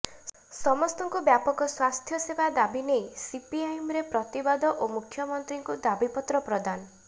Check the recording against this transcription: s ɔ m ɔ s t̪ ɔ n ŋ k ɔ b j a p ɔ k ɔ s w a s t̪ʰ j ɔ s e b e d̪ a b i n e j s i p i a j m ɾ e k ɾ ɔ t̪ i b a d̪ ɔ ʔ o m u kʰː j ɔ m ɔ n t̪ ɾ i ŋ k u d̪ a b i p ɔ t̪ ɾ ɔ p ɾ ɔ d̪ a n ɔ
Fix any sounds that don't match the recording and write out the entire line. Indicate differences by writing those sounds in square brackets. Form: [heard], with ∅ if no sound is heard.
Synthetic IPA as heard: s ɔ m ɔ s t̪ ɔ [∅] ŋ k [u] b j a p ɔ k ɔ s w a s t̪ʰ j ɔ s e b [a] d̪ a b i n e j s i p i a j m ɾ e [p] ɾ ɔ t̪ i b a d̪ ɔ ʔ o m u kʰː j ɔ m ɔ n t̪ ɾ i ŋ k u d̪ a b i p ɔ t̪ ɾ ɔ p ɾ ɔ d̪ a n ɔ